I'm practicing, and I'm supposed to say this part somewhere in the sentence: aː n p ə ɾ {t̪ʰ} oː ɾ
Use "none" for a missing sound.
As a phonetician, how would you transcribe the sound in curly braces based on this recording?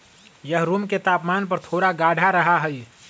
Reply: t̪ʰ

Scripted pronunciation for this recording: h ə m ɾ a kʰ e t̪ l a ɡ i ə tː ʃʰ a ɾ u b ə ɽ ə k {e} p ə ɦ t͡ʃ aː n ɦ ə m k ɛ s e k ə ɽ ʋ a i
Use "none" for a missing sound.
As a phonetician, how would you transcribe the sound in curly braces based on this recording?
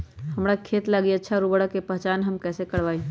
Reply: e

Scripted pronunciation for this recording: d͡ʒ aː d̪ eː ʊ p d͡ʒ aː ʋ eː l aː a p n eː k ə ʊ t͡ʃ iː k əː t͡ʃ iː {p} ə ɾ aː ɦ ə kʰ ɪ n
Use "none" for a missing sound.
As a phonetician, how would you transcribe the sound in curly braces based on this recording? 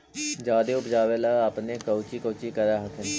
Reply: k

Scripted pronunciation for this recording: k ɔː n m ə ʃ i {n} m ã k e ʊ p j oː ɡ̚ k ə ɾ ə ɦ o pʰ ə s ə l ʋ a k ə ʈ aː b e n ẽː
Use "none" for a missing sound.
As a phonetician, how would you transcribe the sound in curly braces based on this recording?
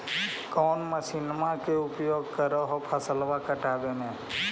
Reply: n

